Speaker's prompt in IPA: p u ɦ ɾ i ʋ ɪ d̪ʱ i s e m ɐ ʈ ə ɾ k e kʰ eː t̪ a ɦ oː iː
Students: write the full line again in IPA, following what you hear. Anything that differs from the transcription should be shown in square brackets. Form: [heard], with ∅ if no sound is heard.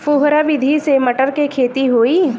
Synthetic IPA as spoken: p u ɦ ɾ [a] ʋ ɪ d̪ʱ i s e m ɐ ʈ ə ɾ k e kʰ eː t̪ [i] ɦ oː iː